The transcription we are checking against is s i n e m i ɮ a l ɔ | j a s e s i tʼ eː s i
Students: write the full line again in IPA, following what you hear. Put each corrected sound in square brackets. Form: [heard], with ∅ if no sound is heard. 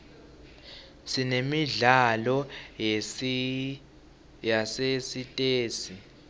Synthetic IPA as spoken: s i n e m i ɮ a l ɔ | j a s e s i tʼ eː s i